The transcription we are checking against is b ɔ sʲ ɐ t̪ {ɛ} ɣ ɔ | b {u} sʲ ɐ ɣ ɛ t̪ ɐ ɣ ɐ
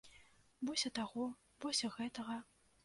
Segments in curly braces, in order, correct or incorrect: incorrect: a, incorrect: ɔ

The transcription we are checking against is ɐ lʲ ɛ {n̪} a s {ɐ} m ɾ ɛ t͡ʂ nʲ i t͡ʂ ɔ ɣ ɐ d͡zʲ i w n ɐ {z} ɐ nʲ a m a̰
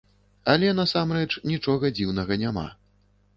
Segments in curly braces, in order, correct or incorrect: correct, incorrect: a, incorrect: ɣ

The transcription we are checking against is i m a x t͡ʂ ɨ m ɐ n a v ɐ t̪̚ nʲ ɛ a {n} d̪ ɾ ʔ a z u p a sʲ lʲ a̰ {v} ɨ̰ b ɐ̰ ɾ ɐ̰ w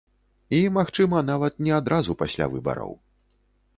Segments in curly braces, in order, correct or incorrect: incorrect: none, correct

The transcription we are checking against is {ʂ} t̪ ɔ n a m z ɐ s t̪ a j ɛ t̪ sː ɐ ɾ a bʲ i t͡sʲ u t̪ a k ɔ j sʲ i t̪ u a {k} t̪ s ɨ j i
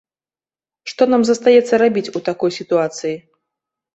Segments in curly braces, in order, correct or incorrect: correct, incorrect: none

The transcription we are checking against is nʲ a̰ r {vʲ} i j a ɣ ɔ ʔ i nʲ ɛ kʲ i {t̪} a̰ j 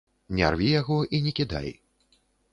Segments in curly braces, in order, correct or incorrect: correct, incorrect: d̪

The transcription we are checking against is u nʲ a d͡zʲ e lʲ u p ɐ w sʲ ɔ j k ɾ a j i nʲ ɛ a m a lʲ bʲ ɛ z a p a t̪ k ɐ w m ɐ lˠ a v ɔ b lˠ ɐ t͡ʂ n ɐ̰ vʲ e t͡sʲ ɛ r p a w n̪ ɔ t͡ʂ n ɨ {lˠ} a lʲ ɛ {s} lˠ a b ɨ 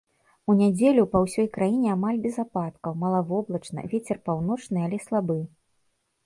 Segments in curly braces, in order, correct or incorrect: incorrect: none, correct

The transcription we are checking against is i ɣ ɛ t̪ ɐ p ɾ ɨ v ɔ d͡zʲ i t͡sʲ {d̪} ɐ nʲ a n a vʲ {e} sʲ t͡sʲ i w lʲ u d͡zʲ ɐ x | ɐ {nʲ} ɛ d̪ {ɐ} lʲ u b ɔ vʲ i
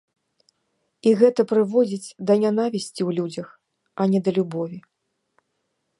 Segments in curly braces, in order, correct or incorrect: correct, incorrect: i, correct, correct

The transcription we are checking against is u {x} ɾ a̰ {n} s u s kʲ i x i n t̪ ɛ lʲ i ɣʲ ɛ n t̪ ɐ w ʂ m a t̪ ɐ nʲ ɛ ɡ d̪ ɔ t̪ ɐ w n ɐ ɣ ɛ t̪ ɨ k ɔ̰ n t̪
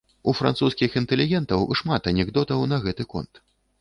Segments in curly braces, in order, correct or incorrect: incorrect: f, correct

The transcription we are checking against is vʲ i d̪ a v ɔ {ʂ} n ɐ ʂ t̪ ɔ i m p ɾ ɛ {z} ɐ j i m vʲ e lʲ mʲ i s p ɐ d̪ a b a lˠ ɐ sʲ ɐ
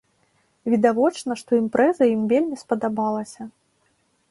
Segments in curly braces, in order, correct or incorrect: incorrect: t͡ʂ, correct

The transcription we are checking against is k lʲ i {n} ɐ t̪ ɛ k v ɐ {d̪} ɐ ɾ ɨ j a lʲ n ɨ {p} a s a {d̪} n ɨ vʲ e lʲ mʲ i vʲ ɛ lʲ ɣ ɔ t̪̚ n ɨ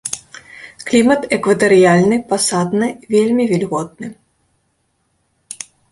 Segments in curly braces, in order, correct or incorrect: incorrect: m, incorrect: t̪, correct, correct

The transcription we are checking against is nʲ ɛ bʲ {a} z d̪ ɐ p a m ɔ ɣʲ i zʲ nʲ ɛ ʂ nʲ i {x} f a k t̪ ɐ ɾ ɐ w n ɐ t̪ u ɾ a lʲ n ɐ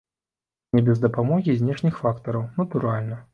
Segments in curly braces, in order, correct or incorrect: incorrect: ɛ, correct

